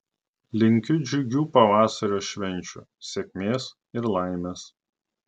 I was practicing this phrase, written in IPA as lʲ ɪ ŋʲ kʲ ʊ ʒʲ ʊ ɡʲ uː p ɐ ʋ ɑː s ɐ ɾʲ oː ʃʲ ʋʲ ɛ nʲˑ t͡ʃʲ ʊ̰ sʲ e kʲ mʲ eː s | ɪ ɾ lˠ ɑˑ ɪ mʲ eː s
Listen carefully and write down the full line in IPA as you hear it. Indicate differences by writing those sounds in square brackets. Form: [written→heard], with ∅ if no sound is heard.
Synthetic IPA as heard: lʲ ɪ ŋʲ kʲ ʊ [ʒʲ→d͡ʒʲ] ʊ ɡʲ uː p ɐ ʋ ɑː s ɐ ɾʲ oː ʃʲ ʋʲ ɛ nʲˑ t͡ʃʲ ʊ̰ sʲ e kʲ mʲ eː s | ɪ ɾ lˠ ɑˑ ɪ mʲ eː s